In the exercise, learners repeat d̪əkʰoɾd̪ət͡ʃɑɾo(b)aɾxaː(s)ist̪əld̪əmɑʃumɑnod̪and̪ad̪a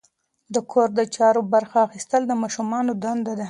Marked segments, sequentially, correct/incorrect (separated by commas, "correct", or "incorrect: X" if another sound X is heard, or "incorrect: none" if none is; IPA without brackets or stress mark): correct, incorrect: x